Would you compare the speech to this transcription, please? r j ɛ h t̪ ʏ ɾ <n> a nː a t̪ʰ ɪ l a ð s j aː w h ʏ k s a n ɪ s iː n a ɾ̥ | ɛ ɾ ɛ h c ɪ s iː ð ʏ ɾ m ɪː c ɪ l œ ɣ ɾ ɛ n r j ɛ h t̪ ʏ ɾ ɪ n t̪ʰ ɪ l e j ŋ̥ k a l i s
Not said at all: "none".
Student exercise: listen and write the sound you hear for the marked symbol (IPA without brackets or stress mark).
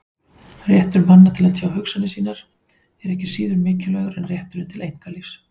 m